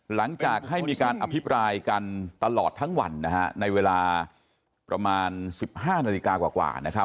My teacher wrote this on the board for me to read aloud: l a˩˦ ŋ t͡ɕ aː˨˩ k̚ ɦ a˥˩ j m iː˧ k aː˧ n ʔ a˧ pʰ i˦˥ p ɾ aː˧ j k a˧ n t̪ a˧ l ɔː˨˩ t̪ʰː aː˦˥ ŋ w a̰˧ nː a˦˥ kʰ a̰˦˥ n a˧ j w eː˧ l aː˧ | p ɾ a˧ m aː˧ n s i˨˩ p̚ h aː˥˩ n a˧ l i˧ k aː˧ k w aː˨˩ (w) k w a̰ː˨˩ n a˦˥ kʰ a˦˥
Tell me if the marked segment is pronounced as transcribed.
no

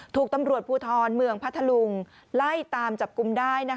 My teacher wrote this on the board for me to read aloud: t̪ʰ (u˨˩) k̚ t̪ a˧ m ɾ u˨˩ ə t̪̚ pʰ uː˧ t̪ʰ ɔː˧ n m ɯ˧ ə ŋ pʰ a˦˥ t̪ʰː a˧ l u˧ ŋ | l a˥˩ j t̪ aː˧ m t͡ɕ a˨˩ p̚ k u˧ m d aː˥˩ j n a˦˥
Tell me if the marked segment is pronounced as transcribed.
no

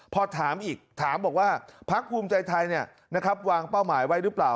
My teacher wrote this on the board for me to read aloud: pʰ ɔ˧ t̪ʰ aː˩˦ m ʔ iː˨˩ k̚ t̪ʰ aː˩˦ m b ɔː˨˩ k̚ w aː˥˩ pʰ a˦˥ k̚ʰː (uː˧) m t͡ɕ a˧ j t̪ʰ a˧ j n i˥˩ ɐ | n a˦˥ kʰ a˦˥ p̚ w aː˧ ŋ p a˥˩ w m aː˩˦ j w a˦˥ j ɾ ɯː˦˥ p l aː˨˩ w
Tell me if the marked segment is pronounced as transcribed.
yes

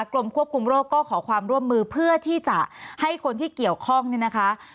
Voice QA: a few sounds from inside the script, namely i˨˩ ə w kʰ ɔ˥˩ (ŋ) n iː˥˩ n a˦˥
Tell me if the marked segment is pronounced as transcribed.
yes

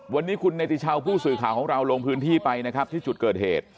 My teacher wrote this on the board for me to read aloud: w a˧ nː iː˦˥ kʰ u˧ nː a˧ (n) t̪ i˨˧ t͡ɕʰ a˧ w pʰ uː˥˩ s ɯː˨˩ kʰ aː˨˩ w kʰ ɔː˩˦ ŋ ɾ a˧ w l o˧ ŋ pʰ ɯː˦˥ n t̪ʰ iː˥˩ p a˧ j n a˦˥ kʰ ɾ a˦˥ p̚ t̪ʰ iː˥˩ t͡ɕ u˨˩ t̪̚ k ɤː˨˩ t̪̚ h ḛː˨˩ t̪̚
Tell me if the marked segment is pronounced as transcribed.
no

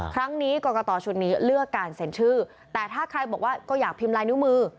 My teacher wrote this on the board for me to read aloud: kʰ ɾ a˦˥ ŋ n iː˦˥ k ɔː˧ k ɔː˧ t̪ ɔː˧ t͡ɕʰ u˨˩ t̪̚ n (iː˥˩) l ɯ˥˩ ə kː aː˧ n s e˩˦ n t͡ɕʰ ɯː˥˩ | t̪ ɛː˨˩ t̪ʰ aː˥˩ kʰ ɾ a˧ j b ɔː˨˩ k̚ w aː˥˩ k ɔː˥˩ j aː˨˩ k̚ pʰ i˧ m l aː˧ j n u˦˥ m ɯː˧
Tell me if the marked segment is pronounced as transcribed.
no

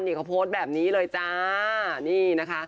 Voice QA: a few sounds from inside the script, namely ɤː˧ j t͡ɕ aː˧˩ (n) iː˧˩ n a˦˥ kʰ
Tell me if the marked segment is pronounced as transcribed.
yes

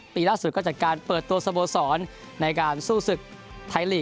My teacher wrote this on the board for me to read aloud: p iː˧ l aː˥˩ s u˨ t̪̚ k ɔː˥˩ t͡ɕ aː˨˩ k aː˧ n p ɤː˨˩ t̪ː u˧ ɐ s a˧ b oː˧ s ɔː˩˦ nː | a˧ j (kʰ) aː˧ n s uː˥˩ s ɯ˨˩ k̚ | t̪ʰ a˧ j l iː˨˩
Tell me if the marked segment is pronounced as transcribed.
no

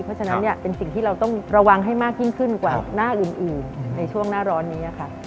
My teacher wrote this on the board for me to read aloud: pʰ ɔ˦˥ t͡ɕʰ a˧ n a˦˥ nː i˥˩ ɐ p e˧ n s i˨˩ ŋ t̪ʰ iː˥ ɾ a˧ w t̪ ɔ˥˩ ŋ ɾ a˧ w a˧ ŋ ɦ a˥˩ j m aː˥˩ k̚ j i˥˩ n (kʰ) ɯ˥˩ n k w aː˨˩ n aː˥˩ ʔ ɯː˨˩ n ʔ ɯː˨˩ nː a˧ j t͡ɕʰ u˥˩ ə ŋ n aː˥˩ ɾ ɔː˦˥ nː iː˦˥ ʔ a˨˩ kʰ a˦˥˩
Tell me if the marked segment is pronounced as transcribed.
yes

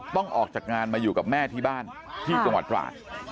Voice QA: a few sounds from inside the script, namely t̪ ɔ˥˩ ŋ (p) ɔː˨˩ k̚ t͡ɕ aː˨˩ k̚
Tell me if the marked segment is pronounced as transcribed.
no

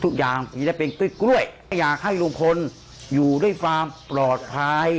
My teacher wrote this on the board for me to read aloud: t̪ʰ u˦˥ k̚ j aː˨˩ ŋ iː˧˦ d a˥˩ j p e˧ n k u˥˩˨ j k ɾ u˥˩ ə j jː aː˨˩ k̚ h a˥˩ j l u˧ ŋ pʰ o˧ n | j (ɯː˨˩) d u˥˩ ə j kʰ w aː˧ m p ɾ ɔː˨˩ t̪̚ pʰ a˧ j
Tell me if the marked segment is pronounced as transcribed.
no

